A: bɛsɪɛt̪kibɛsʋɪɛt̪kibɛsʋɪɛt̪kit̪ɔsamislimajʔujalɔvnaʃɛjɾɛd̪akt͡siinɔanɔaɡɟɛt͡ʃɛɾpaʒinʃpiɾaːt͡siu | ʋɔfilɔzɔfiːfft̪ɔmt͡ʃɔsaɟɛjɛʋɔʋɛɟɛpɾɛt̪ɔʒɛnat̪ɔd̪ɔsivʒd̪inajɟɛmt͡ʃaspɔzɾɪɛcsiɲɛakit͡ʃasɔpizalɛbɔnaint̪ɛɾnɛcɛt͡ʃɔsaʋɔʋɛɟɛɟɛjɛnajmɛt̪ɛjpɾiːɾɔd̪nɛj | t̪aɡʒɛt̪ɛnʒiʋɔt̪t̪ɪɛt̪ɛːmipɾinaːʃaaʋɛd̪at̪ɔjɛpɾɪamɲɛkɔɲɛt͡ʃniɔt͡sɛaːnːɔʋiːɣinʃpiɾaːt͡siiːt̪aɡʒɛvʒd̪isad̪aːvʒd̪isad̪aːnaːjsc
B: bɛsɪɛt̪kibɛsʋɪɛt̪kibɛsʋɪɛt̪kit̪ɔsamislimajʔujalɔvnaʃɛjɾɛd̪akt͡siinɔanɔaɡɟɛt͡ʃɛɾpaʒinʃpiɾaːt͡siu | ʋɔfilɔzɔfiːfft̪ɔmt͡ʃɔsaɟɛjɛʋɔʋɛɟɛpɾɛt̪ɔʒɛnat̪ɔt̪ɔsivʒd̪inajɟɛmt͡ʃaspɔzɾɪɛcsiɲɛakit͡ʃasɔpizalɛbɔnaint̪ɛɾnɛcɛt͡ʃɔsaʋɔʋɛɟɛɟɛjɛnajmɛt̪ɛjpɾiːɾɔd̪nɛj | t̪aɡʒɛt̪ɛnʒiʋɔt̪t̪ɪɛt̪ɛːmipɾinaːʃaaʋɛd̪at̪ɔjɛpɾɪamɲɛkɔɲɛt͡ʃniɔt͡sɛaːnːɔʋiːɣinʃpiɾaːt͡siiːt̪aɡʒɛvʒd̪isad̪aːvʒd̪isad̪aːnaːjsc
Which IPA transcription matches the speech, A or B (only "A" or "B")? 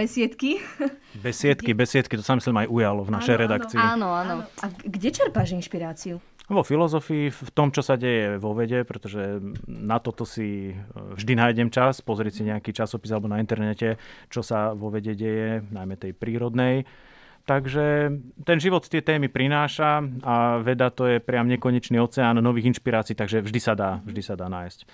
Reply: B